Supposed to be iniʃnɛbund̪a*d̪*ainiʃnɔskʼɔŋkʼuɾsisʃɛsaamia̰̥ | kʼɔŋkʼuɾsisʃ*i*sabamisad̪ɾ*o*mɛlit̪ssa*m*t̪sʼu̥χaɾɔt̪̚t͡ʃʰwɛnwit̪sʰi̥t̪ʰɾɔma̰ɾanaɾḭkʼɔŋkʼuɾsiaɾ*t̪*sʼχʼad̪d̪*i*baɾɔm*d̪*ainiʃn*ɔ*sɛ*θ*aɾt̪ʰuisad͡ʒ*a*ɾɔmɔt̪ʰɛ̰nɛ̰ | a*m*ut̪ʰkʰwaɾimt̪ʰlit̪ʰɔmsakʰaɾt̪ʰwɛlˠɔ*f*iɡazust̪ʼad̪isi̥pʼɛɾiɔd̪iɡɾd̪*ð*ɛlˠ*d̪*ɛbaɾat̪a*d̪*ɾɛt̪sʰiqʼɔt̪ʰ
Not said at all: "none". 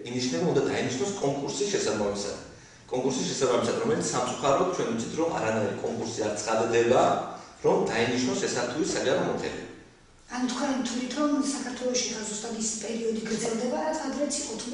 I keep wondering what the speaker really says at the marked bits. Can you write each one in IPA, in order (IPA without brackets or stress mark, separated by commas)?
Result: d̪, ɛ, ɔ, m, t̪, ɛ, d̪, ɔ, s, a, n, ʃ, z, d̪, d̪